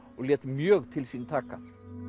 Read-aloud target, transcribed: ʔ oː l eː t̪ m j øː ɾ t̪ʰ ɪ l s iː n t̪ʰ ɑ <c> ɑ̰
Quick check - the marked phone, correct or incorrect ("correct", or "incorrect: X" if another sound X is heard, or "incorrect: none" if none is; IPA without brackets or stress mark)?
incorrect: k